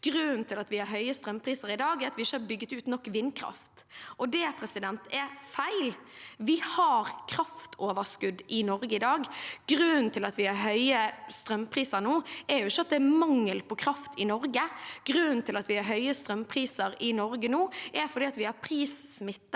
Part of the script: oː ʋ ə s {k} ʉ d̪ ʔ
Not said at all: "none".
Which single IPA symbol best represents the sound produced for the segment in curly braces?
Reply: k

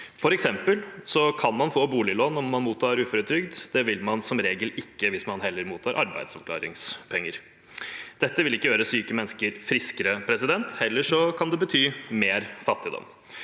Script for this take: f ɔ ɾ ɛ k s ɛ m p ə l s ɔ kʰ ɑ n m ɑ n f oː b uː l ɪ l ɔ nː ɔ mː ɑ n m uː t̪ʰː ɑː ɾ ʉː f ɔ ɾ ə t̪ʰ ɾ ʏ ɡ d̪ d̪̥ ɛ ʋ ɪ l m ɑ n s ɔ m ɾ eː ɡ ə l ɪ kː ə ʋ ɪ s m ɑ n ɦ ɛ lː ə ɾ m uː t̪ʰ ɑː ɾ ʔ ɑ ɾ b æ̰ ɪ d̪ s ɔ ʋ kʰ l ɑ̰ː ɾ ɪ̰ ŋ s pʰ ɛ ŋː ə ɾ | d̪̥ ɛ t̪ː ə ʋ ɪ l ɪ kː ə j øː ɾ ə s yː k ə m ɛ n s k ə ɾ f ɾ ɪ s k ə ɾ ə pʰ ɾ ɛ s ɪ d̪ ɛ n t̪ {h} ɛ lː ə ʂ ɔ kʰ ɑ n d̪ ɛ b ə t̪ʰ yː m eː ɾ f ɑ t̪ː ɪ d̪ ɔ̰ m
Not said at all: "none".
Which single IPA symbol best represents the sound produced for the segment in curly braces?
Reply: h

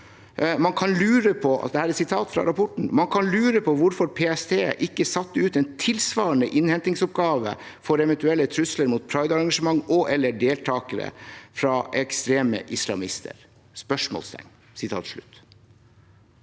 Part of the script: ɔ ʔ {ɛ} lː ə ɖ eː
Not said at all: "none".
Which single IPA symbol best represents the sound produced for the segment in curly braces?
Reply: ɛ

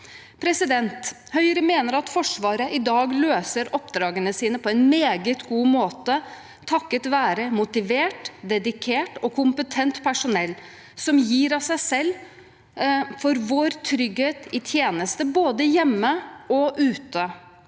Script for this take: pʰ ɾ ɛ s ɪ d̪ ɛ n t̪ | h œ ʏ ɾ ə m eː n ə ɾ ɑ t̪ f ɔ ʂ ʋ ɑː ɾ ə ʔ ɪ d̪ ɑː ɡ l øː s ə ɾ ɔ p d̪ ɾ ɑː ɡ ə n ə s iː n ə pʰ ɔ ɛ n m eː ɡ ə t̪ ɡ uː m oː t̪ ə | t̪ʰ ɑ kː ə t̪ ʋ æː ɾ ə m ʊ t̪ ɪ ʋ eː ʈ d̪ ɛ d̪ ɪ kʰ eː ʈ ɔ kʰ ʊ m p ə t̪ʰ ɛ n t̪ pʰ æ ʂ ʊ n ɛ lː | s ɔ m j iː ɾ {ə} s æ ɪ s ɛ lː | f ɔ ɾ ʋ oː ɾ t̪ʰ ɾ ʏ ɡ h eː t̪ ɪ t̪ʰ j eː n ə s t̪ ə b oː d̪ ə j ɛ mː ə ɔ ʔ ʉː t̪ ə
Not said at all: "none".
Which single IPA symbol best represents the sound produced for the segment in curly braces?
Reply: ɑ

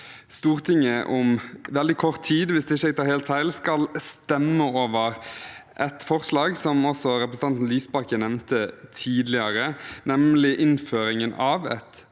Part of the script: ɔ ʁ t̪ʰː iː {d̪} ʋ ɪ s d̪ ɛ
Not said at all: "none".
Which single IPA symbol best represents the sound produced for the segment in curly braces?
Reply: d̪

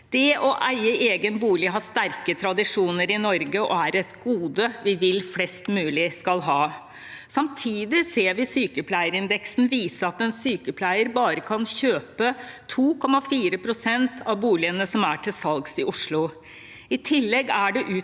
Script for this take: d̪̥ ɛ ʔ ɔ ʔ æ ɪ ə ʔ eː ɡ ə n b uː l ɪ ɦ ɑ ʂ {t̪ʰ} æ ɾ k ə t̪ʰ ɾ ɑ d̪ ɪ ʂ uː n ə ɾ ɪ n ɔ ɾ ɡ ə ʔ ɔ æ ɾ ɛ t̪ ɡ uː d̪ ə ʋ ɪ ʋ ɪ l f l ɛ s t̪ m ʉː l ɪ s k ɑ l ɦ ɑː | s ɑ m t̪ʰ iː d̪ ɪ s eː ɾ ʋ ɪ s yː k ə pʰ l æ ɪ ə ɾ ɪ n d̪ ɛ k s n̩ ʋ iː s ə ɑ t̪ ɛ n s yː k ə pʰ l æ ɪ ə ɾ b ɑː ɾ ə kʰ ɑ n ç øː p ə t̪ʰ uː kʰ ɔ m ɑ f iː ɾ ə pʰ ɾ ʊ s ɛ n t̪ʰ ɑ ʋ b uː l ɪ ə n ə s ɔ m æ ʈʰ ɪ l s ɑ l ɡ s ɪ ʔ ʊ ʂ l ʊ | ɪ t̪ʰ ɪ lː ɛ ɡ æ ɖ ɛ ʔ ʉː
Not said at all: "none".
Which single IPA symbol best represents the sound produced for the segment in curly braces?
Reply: t̪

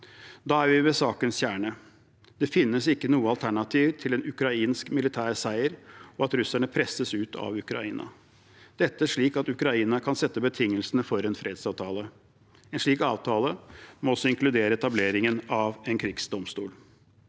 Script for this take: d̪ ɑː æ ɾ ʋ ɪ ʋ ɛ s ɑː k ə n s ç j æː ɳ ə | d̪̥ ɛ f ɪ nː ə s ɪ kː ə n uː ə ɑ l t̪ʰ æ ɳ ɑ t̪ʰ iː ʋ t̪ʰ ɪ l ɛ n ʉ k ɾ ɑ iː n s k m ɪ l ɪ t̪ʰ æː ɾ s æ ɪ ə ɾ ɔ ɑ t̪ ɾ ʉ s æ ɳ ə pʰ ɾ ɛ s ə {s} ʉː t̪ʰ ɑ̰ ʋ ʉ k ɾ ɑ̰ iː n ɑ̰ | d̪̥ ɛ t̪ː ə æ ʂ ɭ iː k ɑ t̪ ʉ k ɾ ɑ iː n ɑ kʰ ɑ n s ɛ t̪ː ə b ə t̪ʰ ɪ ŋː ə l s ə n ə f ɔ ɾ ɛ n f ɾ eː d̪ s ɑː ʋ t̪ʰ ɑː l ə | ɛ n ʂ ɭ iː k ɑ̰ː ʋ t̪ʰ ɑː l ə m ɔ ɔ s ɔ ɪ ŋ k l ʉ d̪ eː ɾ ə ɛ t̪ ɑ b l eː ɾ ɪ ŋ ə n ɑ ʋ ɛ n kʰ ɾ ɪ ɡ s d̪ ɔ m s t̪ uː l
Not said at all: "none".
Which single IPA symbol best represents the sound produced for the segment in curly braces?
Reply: s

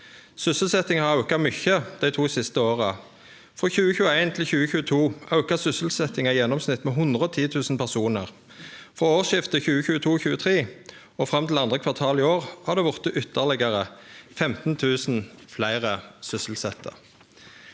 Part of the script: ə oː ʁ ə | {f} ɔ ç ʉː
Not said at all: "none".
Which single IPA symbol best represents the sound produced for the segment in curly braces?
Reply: f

